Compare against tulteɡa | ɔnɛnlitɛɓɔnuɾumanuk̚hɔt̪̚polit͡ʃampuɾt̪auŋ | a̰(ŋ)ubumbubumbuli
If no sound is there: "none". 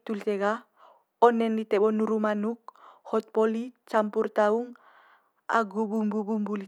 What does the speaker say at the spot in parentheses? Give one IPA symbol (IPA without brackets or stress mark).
ɡ